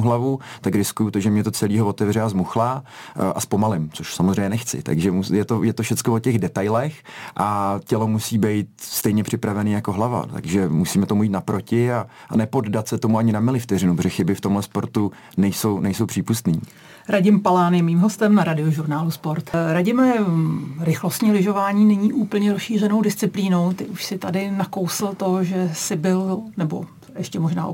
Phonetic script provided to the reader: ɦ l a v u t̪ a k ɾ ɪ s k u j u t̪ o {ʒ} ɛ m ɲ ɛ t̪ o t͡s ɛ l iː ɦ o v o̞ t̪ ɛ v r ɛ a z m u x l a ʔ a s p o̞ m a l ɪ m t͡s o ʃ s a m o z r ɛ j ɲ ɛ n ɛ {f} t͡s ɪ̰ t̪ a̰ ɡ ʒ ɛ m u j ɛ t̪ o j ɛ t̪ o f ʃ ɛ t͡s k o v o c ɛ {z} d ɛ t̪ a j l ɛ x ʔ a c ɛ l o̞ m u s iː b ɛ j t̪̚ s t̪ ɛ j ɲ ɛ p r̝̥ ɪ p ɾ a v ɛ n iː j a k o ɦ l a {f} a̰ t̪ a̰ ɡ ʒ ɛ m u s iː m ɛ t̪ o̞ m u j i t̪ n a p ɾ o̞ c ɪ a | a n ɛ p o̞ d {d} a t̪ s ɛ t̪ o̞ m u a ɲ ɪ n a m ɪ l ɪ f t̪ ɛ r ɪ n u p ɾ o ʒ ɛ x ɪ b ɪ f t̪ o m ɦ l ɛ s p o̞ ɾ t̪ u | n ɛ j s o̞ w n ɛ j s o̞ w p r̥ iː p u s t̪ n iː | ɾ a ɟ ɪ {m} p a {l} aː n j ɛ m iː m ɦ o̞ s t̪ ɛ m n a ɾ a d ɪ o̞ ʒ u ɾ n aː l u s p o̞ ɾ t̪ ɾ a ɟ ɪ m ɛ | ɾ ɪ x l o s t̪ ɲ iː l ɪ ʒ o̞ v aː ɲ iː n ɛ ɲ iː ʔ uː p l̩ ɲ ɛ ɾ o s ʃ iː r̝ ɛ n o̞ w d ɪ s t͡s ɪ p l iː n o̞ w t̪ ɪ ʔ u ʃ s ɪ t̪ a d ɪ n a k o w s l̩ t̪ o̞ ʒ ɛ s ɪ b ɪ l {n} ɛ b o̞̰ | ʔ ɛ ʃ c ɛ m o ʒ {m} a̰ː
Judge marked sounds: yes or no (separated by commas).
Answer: yes, no, no, no, yes, yes, yes, yes, no